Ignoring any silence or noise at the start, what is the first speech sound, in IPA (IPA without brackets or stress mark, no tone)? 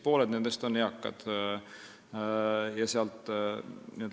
p